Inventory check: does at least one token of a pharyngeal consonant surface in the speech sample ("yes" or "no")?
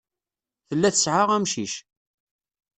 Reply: yes